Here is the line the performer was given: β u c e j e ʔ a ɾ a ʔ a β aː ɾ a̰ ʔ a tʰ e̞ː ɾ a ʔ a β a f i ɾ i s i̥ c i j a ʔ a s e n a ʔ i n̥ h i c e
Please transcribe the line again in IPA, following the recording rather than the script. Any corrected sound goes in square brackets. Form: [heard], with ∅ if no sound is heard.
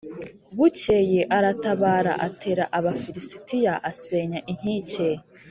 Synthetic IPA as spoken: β u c e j e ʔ a ɾ a [t] a β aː ɾ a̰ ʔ a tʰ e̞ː ɾ a ʔ a β a f i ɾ i s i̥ [t] i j a ʔ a s e [ɲ] a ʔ i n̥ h i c e